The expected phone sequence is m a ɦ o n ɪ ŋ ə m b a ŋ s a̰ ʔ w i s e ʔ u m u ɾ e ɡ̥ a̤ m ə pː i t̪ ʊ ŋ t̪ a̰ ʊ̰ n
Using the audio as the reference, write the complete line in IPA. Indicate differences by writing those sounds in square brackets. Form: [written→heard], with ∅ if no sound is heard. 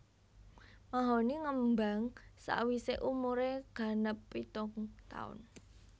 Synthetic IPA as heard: m a ɦ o n [ɪ→i] ŋ ə m b a ŋ s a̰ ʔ w i s e ʔ u m u ɾ e ɡ̥ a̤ [m→n] ə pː i t̪ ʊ ŋ t̪ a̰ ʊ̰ n